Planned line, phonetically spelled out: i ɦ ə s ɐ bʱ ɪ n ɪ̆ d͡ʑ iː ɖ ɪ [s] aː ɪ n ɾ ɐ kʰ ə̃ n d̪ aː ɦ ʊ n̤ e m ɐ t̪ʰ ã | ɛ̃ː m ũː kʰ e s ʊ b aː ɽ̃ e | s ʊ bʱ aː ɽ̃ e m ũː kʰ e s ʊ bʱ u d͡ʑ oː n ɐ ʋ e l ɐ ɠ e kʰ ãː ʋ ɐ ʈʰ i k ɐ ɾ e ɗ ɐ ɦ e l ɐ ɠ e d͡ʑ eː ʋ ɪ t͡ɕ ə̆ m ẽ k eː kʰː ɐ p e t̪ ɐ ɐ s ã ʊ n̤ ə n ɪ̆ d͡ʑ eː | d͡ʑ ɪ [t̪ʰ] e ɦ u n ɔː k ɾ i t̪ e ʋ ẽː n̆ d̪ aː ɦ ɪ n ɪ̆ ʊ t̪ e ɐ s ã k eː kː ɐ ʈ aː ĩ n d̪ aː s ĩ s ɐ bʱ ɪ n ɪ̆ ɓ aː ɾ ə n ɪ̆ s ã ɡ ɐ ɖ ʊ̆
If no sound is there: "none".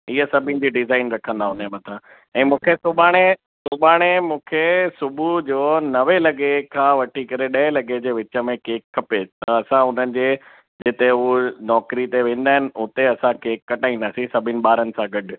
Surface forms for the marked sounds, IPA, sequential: z, t̪

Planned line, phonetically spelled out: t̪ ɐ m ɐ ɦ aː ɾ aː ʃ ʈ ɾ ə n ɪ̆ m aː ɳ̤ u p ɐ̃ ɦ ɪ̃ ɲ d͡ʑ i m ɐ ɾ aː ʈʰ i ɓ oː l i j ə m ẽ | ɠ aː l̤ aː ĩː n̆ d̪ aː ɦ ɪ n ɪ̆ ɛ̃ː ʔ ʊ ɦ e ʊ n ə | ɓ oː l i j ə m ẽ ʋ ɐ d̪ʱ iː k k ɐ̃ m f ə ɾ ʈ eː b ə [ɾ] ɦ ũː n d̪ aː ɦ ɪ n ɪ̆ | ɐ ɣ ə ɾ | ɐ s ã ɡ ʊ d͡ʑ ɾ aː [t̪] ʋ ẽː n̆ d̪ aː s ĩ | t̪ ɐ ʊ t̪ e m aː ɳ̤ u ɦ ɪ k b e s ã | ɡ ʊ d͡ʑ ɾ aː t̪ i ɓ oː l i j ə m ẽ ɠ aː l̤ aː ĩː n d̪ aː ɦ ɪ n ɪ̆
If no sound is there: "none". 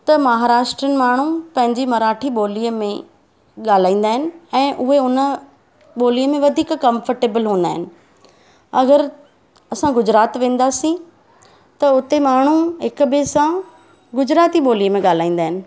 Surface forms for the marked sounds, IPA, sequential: l, t̪

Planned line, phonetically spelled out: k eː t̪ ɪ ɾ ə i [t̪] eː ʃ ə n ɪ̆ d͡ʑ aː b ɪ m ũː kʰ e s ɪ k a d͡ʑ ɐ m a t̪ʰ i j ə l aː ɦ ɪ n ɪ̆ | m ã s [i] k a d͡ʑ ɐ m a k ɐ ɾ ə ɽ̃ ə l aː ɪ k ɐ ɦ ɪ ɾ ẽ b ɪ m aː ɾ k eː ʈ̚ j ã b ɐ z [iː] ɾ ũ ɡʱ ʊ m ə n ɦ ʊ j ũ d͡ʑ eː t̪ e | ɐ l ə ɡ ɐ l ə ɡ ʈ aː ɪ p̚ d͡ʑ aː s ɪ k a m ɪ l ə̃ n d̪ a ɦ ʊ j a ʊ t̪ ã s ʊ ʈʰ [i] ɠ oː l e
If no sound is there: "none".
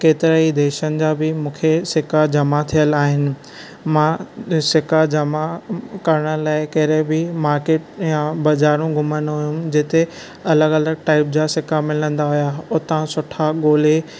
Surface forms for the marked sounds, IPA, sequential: d̪, ɪ, aː, a

